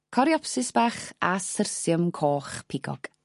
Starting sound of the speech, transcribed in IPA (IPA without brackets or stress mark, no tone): kʰ